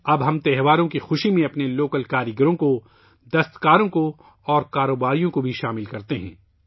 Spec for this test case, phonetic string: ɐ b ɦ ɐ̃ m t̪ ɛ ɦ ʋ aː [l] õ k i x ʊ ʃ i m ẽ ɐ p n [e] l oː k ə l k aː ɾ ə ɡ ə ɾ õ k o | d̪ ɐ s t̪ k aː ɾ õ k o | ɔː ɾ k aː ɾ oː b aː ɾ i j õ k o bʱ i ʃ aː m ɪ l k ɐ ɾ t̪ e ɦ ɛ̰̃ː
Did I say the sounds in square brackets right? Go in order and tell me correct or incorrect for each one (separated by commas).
incorrect, correct